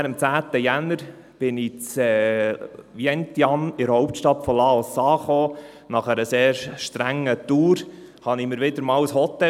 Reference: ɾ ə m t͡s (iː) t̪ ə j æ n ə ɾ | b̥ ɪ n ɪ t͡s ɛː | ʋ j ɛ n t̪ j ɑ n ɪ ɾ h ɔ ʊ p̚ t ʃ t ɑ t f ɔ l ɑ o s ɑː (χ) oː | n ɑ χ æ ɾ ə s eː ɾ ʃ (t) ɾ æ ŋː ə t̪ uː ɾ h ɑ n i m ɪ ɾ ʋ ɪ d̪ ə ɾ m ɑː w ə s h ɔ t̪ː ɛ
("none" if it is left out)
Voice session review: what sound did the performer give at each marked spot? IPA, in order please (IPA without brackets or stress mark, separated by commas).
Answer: æː, χ, t